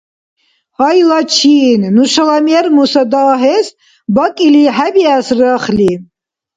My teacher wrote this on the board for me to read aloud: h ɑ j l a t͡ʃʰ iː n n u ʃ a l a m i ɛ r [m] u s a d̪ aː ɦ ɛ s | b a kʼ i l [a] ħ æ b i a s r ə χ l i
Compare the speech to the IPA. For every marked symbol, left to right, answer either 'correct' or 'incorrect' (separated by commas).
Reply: correct, incorrect